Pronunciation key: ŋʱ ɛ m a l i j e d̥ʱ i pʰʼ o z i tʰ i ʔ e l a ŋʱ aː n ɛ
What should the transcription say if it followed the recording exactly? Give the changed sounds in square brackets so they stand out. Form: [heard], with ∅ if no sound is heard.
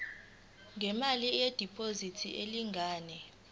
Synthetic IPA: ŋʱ ɛ m a l i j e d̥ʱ i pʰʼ o z i tʰ i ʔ e l [i] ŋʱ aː n ɛ